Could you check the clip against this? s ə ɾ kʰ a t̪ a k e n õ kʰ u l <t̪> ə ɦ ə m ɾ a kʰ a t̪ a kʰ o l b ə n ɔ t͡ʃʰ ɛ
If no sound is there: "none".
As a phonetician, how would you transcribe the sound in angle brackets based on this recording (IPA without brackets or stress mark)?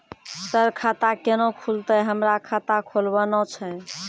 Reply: t̪